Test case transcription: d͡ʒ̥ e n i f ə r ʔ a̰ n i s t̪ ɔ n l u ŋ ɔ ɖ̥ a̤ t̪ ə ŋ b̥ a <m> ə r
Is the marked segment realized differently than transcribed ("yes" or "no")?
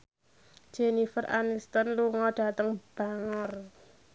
yes